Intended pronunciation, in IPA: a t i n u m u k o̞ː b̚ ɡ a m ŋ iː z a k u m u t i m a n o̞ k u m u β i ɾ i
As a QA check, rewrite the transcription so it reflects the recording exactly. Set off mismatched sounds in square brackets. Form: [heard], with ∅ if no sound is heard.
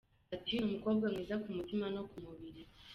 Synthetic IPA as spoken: a t i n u m u k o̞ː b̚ ɡ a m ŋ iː z a k u m u t i m a n o̞ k u m u β i ɾ i

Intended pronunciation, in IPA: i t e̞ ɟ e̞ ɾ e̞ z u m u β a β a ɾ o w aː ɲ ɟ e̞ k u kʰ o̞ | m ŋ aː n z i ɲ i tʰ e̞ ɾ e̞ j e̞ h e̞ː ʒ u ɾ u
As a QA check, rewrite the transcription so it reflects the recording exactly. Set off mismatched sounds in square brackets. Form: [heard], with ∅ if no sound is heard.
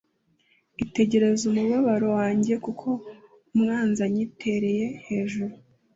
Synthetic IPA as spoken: i t e̞ ɟ e̞ ɾ e̞ z u m u β a β a ɾ o w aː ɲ ɟ e̞ k u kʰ o̞ | m ŋ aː n z [a] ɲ i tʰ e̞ ɾ e̞ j e̞ h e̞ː ʒ u ɾ u

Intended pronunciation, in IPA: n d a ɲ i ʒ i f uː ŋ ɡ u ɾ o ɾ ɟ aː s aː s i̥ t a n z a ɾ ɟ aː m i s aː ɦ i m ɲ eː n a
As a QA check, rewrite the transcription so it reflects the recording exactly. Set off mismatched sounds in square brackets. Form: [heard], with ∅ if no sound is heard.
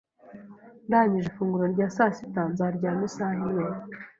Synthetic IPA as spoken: n d a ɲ i ʒ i f uː ŋ ɡ u ɾ o ɾ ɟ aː s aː s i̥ t a n z a ɾ ɟ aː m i s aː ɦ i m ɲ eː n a

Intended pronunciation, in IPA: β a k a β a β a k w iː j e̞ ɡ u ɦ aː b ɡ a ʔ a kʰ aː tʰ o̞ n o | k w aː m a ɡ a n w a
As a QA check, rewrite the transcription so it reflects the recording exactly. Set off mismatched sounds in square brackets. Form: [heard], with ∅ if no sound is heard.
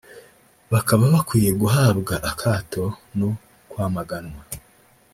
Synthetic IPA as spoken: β a k a β a β a k w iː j e̞ ɡ u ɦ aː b ɡ a ʔ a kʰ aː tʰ o̞ n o | k w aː m a ɡ a n w a

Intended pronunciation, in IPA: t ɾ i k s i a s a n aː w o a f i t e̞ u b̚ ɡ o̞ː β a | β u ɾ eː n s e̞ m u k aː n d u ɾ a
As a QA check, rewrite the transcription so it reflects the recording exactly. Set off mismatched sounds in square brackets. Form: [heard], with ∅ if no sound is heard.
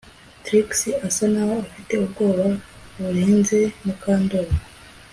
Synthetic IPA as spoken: t ɾ i k s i a s a n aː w o a f i t e̞ u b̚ ɡ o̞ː β a | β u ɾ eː n [z] e̞ m u k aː n d [o] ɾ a

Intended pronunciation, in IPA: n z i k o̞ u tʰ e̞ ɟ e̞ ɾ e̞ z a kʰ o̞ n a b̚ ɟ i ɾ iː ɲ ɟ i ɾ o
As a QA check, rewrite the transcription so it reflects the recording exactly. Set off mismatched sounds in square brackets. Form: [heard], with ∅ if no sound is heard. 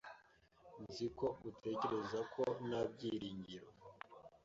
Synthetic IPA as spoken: n z i k o̞ u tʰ e̞ [c] e̞ ɾ e̞ z a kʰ o̞ n a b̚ ɟ i ɾ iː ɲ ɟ i ɾ o

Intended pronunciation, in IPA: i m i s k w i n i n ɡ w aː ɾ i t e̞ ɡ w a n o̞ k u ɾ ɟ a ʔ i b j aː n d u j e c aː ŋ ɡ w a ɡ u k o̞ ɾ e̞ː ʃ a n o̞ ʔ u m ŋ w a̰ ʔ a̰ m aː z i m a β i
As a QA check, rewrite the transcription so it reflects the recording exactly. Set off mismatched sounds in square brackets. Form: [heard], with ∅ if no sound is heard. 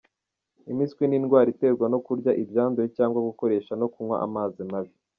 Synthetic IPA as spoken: i m i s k w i n i n ɡ w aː ɾ i t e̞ ɡ w a n o̞ k u ɾ ɟ a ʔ i b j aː n d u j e c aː ŋ ɡ w a ɡ u k o̞ ɾ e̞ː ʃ a n o̞ [k] u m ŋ w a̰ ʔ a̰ m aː z i m a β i

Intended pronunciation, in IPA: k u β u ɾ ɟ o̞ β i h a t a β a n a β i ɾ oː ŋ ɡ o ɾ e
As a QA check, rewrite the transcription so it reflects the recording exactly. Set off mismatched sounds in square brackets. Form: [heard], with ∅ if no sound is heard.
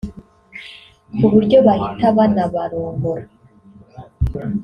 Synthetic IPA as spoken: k u β u ɾ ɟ o̞ β [a] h [i] t a β a n a β [a] ɾ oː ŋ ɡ o ɾ [a]

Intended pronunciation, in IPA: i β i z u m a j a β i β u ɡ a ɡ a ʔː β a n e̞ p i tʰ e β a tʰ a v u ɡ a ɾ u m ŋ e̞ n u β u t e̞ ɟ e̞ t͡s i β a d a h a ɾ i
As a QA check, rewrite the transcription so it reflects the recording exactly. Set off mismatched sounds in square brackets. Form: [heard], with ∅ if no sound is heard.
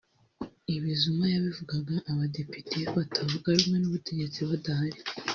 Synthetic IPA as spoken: i β i z u m a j a β i [v] u ɡ a ɡ a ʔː β a [d] e̞ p i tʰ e β a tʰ a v u ɡ a ɾ u m ŋ e̞ n u β u t e̞ ɟ e̞ t͡s i β a d a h a ɾ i

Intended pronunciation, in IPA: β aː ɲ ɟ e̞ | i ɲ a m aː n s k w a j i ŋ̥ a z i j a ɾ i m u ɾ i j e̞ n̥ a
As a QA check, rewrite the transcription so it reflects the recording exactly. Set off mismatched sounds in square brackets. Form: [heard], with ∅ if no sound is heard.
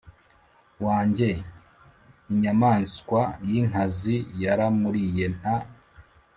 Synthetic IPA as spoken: [w] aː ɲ ɟ e̞ | i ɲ a m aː n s k w a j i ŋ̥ a z i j a ɾ [a] m u ɾ i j e̞ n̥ a

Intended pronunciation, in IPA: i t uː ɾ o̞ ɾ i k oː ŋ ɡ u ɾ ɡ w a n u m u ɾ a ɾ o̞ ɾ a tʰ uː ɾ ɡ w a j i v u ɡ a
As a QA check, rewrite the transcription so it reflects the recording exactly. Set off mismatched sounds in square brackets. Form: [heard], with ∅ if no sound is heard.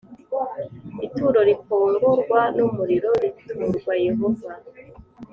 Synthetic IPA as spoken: i t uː ɾ o̞ ɾ i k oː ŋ ɡ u ɾ ɡ w a n u m u ɾ [i] ɾ o̞ ɾ [i] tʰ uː ɾ ɡ w a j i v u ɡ a

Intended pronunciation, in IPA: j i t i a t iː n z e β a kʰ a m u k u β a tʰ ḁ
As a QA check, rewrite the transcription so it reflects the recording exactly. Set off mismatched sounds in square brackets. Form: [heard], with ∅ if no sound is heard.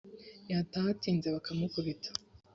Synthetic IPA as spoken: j [a] t [a] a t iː n z e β a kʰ a m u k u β [i] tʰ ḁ

